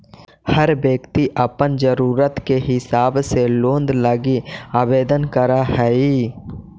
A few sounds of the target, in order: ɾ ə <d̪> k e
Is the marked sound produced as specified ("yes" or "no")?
no